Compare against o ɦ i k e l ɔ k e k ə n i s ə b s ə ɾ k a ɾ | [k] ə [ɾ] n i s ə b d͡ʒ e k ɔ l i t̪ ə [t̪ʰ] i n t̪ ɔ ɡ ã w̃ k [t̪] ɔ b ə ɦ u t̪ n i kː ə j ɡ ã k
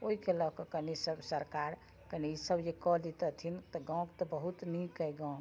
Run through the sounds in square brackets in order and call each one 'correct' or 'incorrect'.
correct, incorrect: none, correct, correct

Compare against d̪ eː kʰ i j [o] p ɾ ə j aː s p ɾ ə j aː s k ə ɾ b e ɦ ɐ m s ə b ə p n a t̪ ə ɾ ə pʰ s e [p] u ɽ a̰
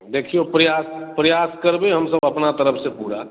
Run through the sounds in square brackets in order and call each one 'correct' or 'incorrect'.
correct, correct

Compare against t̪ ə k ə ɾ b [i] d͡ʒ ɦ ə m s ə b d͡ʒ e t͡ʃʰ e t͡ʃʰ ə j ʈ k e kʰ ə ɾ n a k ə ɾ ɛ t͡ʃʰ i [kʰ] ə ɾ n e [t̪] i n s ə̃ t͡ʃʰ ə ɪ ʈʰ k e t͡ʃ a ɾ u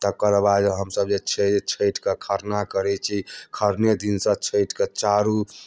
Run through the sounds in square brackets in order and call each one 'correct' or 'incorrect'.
incorrect: a, correct, incorrect: d̪

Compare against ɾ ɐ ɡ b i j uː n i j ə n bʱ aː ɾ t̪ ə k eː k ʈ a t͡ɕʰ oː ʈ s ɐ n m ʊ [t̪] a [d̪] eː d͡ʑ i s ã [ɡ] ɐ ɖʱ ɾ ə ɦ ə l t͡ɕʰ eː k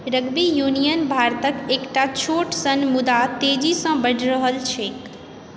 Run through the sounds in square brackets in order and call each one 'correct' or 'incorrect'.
incorrect: d̪, incorrect: t̪, incorrect: b

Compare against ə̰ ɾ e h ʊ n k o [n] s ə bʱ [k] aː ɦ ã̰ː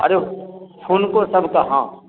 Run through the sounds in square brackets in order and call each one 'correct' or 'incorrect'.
incorrect: none, correct

